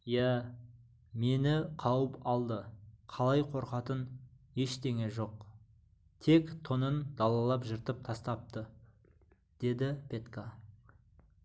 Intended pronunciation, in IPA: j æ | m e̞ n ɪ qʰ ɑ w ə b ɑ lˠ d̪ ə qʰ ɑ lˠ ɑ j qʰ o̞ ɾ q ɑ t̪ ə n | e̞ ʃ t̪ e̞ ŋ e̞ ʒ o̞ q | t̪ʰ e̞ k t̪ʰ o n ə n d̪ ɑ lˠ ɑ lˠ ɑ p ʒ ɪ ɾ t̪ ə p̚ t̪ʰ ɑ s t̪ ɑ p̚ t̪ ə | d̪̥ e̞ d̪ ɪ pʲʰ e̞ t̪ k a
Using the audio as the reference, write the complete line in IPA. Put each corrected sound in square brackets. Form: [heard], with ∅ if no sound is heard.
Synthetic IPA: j æ | m e̞ n ɪ qʰ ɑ w ə [p] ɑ lˠ d̪ ə qʰ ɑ lˠ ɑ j qʰ o̞ ɾ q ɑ t̪ ə n | e̞ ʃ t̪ e̞ ŋ e̞ ʒ o̞ q | t̪ʰ e̞ k t̪ʰ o n ə n d̪ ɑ lˠ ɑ lˠ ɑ p ʒ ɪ ɾ t̪ ə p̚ t̪ʰ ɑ s t̪ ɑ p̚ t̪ ə | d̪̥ e̞ d̪ ɪ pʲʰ e̞ t̪ k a

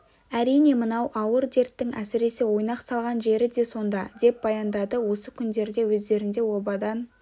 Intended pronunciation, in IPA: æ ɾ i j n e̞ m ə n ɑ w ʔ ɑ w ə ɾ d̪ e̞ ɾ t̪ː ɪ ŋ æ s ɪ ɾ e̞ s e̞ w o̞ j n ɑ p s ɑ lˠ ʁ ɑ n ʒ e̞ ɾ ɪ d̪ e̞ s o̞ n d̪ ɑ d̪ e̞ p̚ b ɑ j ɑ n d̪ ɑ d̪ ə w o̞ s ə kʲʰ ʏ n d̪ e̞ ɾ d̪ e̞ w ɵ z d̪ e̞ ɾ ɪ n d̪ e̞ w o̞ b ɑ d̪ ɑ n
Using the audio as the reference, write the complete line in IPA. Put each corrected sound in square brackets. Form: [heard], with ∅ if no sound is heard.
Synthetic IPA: æ ɾ i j n e̞ m ə n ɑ w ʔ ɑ w ə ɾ d̪ e̞ ɾ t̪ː ɪ ŋ æ s ɪ ɾ e̞ s e̞ w o̞ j n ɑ [q] s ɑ lˠ ʁ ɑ n ʒ e̞ ɾ ɪ d̪ e̞ s o̞ n d̪ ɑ d̪ e̞ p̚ b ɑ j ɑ n d̪ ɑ d̪ ə w o̞ s ə kʲʰ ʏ n d̪ e̞ ɾ d̪ e̞ w ɵ z d̪ e̞ ɾ ɪ n d̪ e̞ w o̞ b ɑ d̪ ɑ n

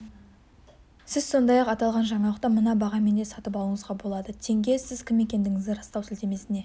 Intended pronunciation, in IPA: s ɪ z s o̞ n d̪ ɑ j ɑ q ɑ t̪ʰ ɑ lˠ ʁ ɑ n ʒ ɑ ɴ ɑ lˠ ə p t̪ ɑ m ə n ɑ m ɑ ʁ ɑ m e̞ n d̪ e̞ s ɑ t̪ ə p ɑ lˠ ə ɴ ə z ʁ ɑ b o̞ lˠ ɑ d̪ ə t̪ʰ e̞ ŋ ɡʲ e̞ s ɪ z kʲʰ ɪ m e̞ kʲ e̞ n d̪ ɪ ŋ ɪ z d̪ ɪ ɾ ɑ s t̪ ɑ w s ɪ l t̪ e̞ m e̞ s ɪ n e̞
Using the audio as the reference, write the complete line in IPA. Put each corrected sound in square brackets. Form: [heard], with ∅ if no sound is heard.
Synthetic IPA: s ɪ z s o̞ n d̪ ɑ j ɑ q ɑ [t̪] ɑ lˠ ʁ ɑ n ʒ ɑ ɴ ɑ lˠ ə [q] t̪ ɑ m ə n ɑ [b] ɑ ʁ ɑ m e̞ n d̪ e̞ s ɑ t̪ ə p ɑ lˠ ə ɴ ə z ʁ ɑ b o̞ lˠ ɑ d̪ ə t̪ʰ e̞ ŋ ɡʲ e̞ s ɪ z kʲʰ ɪ m e̞ kʲ e̞ n d̪ ɪ ŋ ɪ z d̪ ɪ ɾ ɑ s t̪ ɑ w s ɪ l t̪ e̞ m e̞ s ɪ n e̞

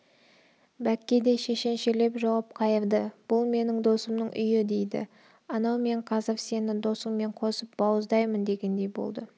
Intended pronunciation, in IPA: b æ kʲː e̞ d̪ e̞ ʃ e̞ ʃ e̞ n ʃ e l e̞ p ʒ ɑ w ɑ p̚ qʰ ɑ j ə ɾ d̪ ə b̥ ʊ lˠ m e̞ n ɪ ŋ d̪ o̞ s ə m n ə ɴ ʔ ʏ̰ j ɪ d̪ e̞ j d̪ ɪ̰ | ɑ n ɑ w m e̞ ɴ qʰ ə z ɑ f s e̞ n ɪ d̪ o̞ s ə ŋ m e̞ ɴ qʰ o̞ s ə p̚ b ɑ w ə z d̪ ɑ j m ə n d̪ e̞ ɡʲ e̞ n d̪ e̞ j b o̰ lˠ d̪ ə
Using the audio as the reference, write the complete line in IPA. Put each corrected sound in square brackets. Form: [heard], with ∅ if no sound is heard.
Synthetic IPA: b æ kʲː e̞ d̪ e̞ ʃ e̞ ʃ e̞ n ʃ e l e̞ p ʒ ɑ w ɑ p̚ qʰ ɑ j ə ɾ d̪ ə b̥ ʊ lˠ m e̞ n ɪ ŋ d̪ o̞ s ə m n ə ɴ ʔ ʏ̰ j ɪ d̪ e̞ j d̪ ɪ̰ | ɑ n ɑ w m e̞ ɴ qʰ [ɑ] z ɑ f s e̞ n ɪ d̪ o̞ s ə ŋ m e̞ ɴ qʰ o̞ s ə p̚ b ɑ w ə z d̪ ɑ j m ə n d̪ e̞ ɡʲ e̞ n d̪ e̞ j b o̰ lˠ d̪ ə

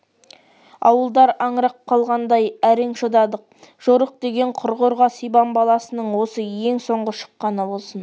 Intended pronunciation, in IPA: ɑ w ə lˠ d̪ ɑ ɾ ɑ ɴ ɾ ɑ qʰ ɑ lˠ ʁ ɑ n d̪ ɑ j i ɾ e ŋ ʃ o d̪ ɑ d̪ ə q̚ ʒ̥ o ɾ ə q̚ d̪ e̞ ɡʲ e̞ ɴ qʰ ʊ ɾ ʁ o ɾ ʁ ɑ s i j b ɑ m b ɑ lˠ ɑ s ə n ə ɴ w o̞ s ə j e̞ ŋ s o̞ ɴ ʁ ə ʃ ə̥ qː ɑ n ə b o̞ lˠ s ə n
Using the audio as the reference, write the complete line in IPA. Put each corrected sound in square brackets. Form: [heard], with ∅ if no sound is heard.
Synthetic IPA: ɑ w ə lˠ d̪ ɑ ɾ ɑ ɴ ɾ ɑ qʰ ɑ lˠ ʁ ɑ n d̪ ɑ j [æ] ɾ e ŋ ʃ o d̪ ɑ d̪ ə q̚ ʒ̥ o ɾ ə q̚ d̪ e̞ ɡʲ e̞ ɴ qʰ ʊ ɾ ʁ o ɾ ʁ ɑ s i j b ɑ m b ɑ lˠ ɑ s ə n ə ɴ w o̞ s ə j e̞ ŋ s o̞ ɴ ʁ ə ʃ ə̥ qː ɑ n ə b o̞ lˠ s ə n

